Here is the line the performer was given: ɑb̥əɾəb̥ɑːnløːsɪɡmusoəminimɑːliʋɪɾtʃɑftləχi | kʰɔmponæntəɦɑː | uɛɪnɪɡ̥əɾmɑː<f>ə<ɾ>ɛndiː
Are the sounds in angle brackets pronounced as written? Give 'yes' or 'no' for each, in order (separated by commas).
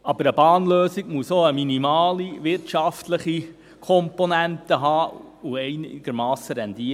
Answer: no, yes